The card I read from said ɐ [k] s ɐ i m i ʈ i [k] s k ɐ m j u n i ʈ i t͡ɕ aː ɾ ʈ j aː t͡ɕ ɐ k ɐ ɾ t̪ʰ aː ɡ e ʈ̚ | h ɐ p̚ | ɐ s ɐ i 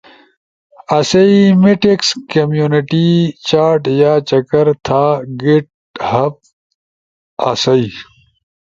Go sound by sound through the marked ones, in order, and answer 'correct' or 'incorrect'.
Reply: incorrect: none, correct

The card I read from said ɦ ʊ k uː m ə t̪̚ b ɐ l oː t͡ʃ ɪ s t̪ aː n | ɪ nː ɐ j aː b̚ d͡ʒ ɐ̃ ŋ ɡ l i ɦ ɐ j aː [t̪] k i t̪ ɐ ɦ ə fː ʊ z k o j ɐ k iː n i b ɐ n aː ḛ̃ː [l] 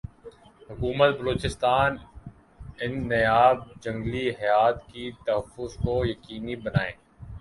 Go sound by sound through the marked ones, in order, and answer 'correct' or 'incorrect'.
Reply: correct, incorrect: none

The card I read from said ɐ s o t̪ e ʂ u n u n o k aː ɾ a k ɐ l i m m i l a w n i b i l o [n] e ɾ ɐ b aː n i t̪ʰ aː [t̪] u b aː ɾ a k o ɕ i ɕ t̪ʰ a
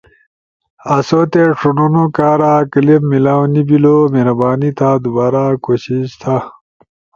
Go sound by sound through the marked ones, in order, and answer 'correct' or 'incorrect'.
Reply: incorrect: m, incorrect: d̪

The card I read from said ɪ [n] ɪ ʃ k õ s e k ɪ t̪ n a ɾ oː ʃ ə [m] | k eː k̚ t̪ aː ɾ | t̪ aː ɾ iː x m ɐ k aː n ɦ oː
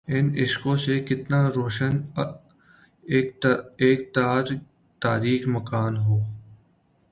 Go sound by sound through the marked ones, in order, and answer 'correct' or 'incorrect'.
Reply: correct, incorrect: n

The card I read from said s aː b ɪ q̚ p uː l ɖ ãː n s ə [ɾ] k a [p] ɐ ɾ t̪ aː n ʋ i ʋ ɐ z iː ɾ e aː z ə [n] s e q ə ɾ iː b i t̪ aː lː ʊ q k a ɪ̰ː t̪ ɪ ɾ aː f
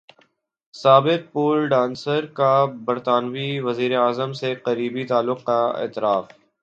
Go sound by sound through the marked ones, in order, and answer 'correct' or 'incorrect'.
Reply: correct, incorrect: b, incorrect: m

